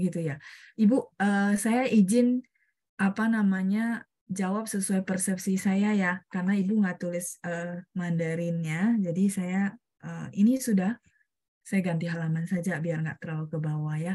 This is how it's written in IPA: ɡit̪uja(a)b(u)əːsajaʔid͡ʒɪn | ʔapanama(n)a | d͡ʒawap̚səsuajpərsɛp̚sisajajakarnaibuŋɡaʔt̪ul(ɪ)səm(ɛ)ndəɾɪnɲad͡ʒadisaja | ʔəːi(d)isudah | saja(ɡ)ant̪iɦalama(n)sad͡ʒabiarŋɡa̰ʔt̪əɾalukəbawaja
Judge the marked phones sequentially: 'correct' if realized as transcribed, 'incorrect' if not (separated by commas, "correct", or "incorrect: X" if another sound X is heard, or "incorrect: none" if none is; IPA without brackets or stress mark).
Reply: incorrect: i, correct, incorrect: ɲ, correct, incorrect: a, incorrect: n, correct, correct